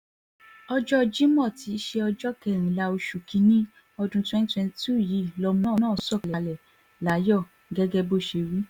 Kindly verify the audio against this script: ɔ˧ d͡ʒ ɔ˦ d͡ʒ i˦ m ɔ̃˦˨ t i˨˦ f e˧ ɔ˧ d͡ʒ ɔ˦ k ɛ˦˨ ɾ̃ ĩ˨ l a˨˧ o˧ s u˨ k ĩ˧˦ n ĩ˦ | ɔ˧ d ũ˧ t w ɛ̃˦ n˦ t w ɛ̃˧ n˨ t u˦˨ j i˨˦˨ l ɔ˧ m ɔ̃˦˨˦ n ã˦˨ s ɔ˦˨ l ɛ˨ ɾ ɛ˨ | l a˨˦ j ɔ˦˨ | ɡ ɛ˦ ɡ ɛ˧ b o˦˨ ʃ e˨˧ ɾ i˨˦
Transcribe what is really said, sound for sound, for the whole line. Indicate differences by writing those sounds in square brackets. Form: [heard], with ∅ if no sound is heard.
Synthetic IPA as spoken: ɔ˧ d͡ʒ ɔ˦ d͡ʒ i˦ m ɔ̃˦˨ t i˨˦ [ʃ] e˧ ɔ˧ d͡ʒ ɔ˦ k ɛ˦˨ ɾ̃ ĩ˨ l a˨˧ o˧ [ʃ] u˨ k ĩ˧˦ n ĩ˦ | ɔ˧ d ũ˧ t w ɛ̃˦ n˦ t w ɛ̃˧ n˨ t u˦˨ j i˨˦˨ l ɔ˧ m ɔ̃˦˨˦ n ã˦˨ s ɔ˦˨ l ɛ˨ [l] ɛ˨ | l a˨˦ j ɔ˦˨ | ɡ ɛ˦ ɡ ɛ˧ b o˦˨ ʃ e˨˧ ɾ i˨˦

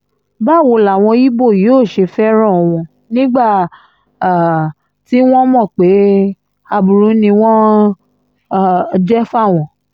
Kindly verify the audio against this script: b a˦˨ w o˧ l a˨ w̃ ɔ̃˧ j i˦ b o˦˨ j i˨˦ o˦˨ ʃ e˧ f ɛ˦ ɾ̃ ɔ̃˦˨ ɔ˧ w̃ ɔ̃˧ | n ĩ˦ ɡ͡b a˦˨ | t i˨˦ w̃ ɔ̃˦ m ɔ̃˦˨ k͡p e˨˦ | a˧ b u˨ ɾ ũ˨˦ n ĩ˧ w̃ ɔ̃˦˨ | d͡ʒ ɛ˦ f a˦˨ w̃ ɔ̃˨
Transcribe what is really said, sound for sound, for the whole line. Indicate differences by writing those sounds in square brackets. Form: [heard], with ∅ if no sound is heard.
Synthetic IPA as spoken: b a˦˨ w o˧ l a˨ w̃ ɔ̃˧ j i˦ b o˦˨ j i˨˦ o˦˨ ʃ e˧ f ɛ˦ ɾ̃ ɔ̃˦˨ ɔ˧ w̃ ɔ̃˧ | n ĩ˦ ɡ͡b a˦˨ | t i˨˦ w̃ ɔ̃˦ m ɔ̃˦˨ k͡p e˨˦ | a˧ b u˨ ɾ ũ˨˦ n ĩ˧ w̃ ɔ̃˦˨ | d͡ʒ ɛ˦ f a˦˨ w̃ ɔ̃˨

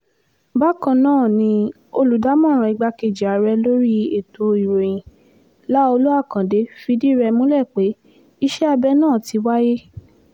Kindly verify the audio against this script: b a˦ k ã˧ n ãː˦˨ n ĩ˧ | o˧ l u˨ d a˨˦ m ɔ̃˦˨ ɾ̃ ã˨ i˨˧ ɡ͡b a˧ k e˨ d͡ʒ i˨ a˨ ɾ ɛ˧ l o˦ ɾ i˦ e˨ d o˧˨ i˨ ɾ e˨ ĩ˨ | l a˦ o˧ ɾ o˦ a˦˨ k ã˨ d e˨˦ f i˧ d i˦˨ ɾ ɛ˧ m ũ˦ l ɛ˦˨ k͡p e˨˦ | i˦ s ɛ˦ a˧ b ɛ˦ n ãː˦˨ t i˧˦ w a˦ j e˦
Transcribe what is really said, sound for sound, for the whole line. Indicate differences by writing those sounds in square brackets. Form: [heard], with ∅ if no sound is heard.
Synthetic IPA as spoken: b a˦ k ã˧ n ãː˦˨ n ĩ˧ | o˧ l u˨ d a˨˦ m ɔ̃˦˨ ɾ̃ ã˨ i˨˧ ɡ͡b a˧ k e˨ d͡ʒ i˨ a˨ ɾ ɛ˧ l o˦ ɾ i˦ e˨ [t] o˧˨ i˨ ɾ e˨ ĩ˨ | l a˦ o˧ [l] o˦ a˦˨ k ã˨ d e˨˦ f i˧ d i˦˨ ɾ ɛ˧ m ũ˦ l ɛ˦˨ k͡p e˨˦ | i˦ [ʃ] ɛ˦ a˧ b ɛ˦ n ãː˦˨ t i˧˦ w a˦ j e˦

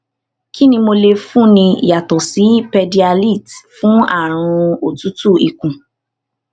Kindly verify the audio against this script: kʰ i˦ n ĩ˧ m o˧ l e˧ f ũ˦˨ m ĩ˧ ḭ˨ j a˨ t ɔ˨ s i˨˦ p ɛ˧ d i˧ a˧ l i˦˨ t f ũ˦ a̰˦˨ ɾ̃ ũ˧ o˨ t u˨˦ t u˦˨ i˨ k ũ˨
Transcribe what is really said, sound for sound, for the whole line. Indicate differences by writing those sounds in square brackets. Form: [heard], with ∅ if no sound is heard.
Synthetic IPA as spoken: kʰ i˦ n ĩ˧ m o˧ l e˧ f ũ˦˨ [n] ĩ˧ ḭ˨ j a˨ t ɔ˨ s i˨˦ p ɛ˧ d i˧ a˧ l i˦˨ t f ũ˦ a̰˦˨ ɾ̃ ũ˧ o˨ t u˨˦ t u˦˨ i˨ k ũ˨

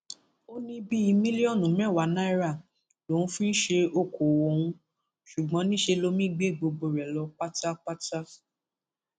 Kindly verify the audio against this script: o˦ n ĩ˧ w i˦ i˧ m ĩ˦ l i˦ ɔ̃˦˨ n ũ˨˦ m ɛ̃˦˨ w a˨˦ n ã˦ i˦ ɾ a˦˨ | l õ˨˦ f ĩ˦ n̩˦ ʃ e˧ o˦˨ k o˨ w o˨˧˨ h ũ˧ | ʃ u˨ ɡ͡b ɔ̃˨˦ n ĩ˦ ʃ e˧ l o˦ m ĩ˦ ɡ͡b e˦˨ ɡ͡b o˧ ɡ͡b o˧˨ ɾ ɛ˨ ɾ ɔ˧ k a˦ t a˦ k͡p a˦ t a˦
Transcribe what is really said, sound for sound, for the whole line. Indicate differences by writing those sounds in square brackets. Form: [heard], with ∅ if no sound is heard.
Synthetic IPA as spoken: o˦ n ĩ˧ [b] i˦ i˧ m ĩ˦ l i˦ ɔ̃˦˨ n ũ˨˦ m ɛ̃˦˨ w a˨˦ n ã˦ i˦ ɾ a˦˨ | l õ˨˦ f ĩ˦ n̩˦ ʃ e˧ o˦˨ k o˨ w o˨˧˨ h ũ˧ | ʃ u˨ ɡ͡b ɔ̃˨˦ n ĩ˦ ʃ e˧ l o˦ m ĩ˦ ɡ͡b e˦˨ ɡ͡b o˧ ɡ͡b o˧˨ ɾ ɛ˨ [l] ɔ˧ [k͡p] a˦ t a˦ k͡p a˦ t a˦

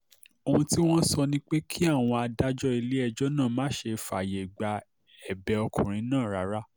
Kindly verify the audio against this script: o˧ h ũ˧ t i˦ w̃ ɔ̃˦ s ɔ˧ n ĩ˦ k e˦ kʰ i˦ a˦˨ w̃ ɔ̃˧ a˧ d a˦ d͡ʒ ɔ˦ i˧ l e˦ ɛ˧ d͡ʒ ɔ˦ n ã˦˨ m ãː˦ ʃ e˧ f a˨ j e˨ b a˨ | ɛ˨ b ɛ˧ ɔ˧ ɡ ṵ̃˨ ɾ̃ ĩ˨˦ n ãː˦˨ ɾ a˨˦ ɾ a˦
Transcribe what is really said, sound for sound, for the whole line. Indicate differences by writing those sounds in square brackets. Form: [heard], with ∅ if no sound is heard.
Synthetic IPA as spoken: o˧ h ũ˧ t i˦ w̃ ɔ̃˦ s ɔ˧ n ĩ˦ [k͡p] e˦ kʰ i˦ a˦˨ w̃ ɔ̃˧ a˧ d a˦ d͡ʒ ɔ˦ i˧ l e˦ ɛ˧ d͡ʒ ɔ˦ n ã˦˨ m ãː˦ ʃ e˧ f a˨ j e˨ [ɡ͡b] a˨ | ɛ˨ b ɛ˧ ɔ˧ [k] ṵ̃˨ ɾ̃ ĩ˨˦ n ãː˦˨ ɾ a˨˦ ɾ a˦

